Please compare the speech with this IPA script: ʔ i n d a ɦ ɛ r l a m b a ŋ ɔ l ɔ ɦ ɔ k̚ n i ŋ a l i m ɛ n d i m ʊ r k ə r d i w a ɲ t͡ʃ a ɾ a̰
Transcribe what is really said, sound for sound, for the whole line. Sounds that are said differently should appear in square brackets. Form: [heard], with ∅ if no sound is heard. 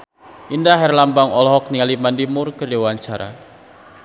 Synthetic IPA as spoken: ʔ i n d a ɦ ɛ r l a m b a ŋ ɔ l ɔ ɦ ɔ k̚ n i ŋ a l i m [a] n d i m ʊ r k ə r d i w a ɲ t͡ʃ a ɾ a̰